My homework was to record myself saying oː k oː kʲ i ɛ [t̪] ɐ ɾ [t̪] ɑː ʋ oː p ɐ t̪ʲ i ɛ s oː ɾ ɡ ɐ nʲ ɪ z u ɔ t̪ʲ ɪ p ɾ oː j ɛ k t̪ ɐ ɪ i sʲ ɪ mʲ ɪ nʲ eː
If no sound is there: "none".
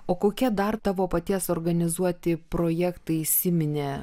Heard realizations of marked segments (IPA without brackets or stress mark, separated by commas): d̪, t̪